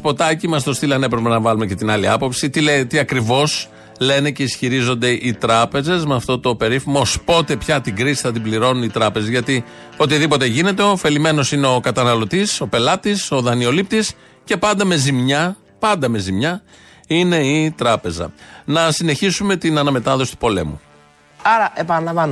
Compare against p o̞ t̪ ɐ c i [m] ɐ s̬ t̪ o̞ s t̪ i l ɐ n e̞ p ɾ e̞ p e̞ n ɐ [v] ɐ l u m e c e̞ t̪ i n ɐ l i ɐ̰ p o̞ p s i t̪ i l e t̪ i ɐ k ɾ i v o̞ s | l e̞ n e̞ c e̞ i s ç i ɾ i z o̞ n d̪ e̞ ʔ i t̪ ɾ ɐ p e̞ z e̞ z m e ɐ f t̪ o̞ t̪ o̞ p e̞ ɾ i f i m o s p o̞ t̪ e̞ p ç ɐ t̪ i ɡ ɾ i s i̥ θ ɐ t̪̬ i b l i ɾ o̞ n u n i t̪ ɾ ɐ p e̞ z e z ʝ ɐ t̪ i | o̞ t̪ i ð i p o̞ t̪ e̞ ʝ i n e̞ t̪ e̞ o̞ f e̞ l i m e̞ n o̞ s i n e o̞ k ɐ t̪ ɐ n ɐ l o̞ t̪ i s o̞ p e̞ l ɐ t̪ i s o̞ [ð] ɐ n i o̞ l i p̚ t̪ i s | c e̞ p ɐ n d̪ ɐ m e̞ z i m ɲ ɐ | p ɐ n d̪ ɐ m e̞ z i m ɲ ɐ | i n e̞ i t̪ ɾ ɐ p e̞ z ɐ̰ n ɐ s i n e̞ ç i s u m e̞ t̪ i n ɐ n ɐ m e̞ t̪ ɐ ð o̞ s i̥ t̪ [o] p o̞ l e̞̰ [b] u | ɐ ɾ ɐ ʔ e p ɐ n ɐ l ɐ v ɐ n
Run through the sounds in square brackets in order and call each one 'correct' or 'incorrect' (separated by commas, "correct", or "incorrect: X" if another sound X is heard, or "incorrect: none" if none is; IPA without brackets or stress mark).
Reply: correct, correct, correct, incorrect: u, incorrect: m